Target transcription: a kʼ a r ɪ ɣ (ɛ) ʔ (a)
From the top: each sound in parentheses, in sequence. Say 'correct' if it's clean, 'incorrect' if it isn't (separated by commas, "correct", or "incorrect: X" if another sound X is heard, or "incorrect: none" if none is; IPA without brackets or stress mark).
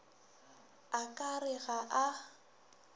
incorrect: a, correct